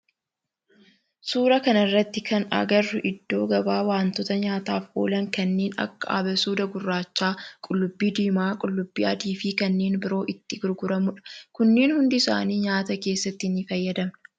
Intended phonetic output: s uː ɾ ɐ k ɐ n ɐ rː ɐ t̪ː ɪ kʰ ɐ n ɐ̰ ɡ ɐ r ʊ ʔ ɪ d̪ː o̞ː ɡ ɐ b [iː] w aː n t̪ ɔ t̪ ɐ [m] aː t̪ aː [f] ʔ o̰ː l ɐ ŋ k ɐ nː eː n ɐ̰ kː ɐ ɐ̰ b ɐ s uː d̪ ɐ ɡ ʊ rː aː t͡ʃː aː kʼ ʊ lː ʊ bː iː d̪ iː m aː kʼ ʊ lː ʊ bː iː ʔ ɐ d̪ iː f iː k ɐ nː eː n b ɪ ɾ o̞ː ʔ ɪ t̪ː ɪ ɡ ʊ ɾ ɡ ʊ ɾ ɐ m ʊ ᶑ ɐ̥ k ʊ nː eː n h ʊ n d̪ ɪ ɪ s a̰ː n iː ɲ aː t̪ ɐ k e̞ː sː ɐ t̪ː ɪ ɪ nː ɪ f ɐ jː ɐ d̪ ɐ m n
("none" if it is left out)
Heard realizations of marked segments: aː, ɲ, f

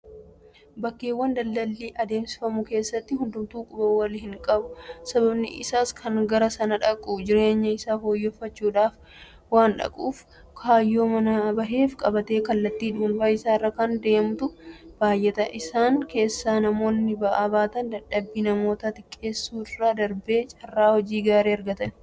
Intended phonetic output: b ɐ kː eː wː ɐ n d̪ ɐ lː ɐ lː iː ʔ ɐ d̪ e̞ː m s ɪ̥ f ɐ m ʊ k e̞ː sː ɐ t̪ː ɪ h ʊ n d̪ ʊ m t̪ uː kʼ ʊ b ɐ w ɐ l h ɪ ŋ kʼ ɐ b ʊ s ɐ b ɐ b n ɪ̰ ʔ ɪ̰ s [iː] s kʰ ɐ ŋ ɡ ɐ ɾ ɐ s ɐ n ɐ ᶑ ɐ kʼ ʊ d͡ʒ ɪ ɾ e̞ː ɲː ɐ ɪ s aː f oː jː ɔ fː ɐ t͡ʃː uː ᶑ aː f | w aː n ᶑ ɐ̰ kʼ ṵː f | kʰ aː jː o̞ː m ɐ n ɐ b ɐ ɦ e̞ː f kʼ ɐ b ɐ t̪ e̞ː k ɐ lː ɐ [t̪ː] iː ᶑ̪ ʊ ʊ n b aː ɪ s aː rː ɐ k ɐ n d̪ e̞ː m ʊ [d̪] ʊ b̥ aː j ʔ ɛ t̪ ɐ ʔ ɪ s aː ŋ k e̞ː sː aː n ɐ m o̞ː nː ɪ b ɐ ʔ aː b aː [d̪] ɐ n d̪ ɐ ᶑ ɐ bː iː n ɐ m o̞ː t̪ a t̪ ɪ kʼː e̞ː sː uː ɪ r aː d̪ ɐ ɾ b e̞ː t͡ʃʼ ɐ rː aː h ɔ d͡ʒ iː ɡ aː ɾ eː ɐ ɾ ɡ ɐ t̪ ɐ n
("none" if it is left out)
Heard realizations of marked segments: aː, t̪ː, t̪, t̪

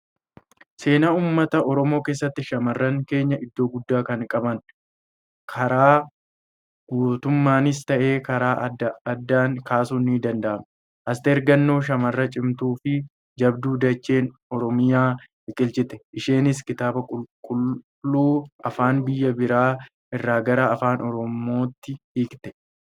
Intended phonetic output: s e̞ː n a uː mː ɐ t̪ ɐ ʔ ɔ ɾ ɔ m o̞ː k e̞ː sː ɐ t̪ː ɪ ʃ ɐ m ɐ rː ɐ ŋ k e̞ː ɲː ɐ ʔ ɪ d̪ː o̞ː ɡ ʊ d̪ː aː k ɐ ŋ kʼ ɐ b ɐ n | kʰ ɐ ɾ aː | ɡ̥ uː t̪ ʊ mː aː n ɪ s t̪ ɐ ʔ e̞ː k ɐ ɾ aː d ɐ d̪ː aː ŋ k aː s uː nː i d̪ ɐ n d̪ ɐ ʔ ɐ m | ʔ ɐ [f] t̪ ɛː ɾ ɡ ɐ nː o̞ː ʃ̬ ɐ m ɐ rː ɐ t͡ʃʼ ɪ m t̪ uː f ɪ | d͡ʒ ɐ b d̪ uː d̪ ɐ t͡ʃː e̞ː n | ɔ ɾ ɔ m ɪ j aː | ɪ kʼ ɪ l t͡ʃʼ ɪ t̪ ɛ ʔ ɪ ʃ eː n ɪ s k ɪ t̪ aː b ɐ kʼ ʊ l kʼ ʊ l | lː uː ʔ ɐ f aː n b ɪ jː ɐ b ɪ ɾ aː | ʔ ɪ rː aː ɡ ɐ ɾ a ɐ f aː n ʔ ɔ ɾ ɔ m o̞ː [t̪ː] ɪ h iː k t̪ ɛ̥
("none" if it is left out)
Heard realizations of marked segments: s, t̪ː

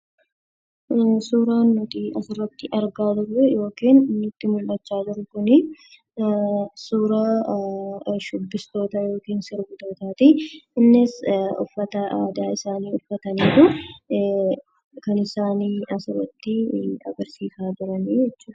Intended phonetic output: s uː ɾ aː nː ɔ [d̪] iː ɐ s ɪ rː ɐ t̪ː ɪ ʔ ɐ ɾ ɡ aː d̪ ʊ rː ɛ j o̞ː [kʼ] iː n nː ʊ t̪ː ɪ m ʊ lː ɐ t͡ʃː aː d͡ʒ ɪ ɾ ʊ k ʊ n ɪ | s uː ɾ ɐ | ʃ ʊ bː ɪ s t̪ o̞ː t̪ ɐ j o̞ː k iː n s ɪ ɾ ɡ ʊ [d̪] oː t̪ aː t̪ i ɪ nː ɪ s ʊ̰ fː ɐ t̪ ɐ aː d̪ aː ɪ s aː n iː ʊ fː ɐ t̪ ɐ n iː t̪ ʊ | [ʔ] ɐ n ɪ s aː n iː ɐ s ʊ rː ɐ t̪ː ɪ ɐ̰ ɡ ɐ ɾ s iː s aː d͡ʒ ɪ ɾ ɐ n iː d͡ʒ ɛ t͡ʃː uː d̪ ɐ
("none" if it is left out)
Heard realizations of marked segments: t̪, k, t̪, k

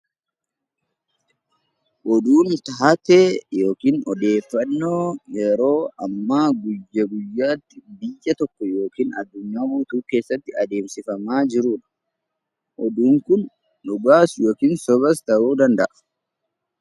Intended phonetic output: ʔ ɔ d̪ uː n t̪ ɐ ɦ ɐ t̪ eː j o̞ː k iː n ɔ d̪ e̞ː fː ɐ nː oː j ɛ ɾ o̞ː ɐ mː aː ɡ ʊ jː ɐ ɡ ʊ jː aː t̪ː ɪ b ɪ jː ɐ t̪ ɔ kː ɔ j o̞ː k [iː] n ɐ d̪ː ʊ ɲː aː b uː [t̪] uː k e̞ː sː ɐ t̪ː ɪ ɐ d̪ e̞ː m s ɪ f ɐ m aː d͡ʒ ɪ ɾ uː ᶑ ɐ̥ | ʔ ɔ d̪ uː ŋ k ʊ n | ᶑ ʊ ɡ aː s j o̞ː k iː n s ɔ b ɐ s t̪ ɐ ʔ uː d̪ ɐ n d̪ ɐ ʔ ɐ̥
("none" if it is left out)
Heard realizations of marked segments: iː, t̪

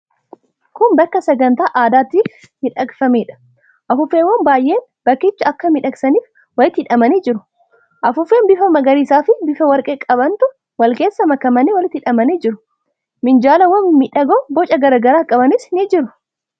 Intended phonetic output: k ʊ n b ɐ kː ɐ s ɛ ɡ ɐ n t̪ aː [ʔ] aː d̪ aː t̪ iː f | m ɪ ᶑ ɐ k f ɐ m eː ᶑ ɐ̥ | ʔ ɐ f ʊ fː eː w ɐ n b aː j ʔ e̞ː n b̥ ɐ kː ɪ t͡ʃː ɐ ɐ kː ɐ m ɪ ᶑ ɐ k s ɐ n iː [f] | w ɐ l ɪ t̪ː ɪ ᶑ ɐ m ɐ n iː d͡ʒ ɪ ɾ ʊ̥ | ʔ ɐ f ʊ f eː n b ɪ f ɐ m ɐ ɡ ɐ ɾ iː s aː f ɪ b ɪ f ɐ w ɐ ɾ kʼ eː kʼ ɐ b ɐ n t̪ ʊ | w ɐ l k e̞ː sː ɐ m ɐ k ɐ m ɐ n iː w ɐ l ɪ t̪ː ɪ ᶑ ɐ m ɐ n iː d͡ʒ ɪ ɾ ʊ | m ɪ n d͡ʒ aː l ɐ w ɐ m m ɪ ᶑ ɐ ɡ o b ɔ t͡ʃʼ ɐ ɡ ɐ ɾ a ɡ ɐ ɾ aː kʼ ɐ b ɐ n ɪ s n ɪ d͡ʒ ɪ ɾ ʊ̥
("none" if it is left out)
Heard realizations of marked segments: ʔ, f

